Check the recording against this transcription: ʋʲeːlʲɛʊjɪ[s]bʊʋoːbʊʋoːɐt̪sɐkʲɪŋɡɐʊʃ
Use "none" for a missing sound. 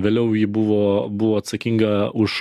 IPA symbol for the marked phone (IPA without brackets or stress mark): none